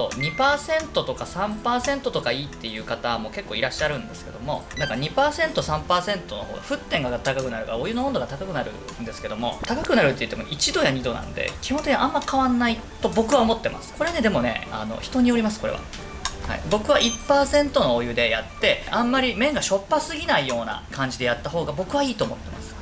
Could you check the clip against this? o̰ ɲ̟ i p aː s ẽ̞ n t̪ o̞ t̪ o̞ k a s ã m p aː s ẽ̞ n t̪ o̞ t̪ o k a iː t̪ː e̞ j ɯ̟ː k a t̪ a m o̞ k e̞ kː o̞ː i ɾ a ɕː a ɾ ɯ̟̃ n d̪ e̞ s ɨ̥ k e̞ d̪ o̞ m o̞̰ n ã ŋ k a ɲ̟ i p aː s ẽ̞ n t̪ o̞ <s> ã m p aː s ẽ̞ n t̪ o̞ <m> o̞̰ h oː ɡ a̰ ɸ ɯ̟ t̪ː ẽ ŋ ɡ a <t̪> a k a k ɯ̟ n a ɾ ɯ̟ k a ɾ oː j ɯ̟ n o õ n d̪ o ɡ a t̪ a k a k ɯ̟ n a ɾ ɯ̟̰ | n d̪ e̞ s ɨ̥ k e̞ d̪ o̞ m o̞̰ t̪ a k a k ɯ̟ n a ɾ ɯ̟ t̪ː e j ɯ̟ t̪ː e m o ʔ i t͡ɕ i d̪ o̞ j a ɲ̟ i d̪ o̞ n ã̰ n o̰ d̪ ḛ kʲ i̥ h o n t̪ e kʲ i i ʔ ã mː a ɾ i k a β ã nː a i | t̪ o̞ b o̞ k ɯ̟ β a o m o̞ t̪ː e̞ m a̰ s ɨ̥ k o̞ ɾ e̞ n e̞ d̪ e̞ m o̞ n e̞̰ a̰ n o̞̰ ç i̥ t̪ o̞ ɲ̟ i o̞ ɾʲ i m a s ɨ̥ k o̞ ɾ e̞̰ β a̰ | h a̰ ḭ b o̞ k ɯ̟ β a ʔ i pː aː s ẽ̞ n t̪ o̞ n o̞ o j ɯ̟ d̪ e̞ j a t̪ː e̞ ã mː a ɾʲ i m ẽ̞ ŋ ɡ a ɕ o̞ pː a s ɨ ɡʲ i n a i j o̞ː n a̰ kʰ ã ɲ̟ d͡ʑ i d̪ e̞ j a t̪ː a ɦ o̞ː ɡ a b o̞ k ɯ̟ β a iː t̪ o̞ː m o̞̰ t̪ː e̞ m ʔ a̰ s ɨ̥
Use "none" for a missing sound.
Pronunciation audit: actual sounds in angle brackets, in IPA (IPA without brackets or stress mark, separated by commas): s, n, t̪